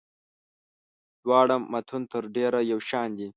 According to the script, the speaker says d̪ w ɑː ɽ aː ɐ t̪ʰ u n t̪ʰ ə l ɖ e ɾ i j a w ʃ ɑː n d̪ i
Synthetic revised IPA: d̪ w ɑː ɽ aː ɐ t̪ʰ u n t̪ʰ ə ɾ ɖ e ɾ a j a w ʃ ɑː n d̪ i